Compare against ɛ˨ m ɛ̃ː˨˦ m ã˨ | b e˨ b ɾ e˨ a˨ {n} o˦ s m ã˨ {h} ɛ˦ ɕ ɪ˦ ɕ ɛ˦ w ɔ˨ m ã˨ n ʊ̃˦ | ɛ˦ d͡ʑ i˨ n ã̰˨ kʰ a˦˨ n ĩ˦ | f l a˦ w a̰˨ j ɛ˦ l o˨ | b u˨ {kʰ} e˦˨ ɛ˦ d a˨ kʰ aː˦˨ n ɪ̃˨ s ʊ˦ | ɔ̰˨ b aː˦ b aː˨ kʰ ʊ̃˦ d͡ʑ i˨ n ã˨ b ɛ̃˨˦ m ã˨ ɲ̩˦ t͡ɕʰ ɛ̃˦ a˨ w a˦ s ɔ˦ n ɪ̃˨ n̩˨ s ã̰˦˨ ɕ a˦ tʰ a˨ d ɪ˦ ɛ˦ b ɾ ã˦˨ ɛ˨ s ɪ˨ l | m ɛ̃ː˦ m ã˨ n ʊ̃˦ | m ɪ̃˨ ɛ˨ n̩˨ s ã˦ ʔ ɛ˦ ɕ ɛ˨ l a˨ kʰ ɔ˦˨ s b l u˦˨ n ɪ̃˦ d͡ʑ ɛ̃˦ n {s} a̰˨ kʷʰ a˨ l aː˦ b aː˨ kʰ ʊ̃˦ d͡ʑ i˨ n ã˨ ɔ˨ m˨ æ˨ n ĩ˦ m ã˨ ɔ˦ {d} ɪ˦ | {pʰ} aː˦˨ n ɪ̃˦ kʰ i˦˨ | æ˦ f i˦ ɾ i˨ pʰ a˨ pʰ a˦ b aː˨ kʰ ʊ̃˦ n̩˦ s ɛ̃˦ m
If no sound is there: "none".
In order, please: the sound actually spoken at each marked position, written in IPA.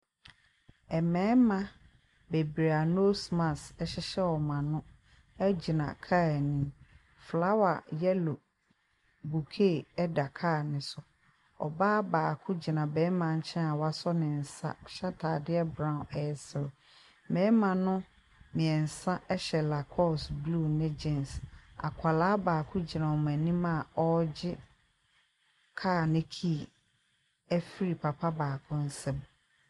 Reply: n, s, kʰ, s, d͡ʑ, kʰ

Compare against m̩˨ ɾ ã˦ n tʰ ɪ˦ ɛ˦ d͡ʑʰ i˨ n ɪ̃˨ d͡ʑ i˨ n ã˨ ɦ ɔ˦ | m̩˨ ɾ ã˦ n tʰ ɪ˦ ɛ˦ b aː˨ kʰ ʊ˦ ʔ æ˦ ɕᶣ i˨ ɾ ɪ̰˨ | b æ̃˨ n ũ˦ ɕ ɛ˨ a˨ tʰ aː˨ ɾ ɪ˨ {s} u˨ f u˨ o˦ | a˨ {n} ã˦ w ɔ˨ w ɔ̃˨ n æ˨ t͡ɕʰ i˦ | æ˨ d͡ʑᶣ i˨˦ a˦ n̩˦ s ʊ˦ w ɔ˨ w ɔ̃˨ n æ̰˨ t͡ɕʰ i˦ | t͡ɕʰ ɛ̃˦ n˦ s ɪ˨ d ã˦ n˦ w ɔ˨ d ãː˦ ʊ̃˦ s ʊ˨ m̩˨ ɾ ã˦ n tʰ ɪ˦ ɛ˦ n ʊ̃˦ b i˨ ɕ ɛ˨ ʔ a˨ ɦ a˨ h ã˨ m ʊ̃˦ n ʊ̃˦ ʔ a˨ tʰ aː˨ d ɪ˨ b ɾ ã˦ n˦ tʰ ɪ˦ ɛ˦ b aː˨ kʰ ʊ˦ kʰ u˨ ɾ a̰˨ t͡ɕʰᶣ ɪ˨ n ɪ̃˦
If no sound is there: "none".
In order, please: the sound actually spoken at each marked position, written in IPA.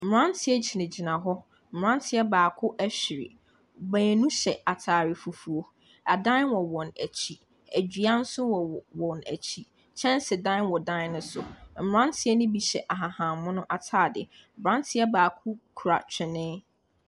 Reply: f, d

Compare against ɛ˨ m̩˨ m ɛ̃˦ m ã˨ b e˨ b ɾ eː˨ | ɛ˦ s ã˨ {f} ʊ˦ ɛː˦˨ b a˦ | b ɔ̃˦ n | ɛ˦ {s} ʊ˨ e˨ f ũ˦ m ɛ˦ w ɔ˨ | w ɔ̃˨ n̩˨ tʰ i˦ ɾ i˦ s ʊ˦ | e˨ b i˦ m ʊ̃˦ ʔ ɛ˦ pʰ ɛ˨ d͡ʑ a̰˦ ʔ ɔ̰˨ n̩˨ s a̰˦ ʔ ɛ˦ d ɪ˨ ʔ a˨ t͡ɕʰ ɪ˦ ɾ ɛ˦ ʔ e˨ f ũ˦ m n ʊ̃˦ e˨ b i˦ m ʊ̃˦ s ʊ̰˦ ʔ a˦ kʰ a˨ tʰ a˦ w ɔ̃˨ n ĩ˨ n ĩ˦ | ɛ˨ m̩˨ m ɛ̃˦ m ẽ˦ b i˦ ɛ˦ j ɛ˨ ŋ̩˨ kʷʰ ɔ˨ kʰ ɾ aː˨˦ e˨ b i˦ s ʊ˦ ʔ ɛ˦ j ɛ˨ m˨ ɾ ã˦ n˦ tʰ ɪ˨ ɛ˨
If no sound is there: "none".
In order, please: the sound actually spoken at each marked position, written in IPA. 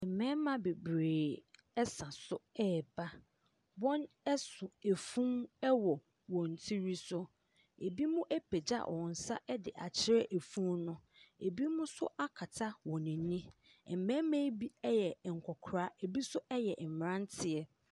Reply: s, s

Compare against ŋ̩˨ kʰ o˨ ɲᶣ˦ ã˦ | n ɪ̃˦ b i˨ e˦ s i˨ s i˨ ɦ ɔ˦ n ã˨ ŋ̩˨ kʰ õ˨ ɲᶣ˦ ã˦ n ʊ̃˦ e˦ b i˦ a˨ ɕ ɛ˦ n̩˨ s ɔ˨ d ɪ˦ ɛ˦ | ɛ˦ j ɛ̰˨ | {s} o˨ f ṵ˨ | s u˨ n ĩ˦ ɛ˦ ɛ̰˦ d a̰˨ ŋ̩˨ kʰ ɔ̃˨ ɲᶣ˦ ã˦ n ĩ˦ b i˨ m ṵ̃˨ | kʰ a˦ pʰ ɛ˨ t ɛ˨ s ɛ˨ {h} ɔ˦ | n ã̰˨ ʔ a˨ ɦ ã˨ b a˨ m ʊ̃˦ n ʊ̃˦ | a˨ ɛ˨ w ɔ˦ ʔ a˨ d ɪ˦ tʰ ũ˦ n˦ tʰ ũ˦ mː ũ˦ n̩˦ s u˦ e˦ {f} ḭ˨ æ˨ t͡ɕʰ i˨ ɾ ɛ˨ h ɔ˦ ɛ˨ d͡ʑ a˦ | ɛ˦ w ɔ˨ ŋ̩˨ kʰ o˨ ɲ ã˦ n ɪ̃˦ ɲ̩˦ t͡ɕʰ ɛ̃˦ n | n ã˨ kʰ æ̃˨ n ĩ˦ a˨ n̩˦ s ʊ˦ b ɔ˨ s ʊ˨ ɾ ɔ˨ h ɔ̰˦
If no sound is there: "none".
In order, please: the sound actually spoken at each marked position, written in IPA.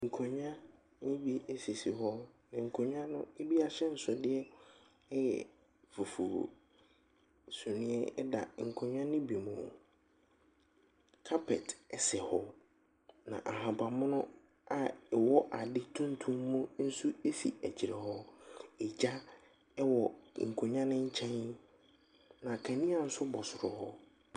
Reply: f, h, f

